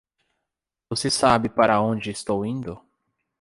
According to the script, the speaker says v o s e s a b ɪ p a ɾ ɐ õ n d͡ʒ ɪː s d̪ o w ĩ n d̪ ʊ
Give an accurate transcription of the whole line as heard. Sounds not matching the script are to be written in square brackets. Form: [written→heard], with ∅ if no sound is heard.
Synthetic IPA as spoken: v o s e s a b ɪ p a ɾ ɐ õ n d͡ʒ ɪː s [d̪→t̪] o w ĩ n d̪ ʊ